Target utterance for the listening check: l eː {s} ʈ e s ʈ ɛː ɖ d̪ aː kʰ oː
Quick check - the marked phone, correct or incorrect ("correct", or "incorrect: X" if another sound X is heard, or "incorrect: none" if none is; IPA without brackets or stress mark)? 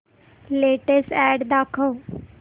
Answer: incorrect: none